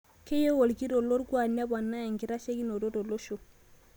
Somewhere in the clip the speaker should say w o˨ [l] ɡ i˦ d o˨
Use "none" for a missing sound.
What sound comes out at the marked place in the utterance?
l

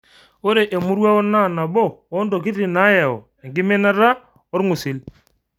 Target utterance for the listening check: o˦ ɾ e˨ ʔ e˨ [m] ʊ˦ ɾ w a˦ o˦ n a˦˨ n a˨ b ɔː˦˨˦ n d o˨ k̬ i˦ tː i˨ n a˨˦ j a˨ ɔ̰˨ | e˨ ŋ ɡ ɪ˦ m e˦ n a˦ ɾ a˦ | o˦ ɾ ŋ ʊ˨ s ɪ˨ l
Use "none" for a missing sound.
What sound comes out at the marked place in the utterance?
m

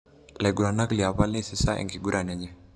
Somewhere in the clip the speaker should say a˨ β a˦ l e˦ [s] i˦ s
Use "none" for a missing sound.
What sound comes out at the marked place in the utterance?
s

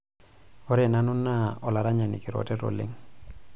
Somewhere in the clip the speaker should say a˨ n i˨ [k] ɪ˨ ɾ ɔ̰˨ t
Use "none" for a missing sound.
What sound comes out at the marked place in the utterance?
k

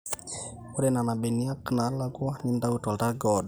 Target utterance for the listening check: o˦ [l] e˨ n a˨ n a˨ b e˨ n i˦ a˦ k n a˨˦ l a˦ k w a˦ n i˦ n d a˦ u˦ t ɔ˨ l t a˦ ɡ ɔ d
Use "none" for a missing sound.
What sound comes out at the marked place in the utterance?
ɾ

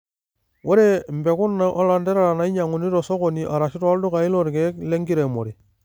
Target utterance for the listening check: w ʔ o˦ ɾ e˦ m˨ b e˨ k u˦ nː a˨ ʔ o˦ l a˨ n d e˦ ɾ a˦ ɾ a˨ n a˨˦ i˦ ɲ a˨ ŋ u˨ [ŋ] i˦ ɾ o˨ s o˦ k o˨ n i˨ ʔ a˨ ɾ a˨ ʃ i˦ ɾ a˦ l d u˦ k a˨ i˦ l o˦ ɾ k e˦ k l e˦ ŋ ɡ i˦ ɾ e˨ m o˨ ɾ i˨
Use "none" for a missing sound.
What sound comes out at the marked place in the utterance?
n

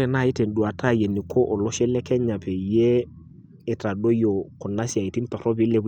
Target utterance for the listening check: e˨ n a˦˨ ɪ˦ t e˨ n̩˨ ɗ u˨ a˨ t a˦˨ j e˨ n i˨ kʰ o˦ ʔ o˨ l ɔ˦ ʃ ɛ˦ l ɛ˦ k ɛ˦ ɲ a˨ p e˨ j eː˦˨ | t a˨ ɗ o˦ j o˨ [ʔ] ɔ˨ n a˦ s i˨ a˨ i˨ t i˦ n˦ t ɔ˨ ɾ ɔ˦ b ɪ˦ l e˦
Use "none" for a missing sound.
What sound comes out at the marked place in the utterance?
k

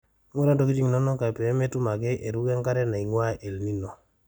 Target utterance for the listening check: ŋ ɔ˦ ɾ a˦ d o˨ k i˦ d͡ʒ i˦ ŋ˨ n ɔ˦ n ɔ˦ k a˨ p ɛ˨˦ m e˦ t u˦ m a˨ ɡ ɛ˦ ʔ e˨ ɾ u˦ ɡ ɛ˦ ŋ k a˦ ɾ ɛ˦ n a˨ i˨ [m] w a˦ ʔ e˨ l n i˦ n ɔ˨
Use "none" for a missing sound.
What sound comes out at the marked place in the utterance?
ŋ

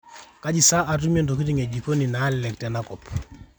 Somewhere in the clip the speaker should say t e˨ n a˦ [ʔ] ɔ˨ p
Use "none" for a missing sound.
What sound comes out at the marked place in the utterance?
k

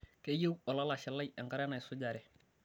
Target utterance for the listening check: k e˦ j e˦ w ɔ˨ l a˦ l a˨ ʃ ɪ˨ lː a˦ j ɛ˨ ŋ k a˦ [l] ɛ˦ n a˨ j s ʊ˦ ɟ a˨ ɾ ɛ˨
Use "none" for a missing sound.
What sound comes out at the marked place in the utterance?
ɾ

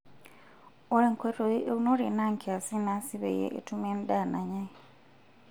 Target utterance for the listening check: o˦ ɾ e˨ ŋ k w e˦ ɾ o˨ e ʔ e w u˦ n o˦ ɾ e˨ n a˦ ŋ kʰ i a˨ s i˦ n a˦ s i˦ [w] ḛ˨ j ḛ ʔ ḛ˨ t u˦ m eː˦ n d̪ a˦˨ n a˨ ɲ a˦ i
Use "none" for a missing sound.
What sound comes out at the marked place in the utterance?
β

